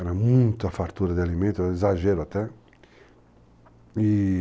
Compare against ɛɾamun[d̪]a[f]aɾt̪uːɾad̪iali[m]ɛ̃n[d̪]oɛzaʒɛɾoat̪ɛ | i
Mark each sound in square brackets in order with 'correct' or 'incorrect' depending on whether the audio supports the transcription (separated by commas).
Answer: incorrect, correct, correct, incorrect